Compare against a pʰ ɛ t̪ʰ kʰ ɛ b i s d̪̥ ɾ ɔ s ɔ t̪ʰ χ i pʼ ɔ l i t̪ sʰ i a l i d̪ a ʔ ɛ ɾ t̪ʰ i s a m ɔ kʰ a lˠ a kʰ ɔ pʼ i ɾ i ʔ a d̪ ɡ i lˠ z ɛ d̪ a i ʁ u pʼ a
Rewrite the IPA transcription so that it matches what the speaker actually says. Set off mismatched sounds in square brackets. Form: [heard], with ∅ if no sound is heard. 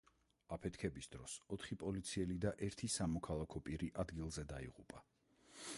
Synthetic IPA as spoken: a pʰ ɛ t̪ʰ kʰ ɛ b i s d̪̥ ɾ ɔ s ɔ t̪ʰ χ i pʼ ɔ l i t̪ sʰ i [ɛ] l i d̪ a ʔ ɛ ɾ t̪ʰ i s a m ɔ kʰ a lˠ a kʰ ɔ pʼ i ɾ i ʔ a d̪ ɡ i lˠ z ɛ d̪ a i ʁ u pʼ a